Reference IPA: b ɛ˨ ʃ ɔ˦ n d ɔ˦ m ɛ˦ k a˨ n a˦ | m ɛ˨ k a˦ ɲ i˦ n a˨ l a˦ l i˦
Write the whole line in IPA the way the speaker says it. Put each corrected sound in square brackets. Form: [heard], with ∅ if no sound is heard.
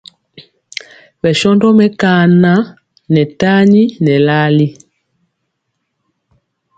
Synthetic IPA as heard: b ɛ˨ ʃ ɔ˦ n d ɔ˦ m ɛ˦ k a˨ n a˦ | [n] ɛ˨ [t] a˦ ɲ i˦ n [ɛ˨] l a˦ l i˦